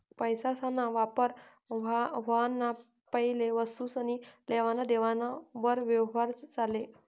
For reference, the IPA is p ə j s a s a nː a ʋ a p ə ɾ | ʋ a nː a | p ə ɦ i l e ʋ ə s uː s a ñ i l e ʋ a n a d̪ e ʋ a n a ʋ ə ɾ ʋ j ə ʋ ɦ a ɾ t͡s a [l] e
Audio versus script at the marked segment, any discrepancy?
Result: no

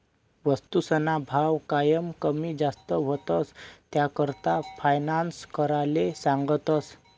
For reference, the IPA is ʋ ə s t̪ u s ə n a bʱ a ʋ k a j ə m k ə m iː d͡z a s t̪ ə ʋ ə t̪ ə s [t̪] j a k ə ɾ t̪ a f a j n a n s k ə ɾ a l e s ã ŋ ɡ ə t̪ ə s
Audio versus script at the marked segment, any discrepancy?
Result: no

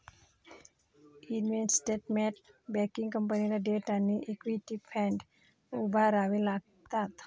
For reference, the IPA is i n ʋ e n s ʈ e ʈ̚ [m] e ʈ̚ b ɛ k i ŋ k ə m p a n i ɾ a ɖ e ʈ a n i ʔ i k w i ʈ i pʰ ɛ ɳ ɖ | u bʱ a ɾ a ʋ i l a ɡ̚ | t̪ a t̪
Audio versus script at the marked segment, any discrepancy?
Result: no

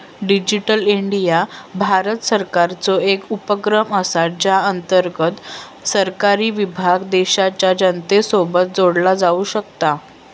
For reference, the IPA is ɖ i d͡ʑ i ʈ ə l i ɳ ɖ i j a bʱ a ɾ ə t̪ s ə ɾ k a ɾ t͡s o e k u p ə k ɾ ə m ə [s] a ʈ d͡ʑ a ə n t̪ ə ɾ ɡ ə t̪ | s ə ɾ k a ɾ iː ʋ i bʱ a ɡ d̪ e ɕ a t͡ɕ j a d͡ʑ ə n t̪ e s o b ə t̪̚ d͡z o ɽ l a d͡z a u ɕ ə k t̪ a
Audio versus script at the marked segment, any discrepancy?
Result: no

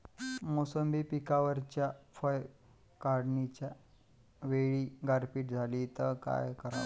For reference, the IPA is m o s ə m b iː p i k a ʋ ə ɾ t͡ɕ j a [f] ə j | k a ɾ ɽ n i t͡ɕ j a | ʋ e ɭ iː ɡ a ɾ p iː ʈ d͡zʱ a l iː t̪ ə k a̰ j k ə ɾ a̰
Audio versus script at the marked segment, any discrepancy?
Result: no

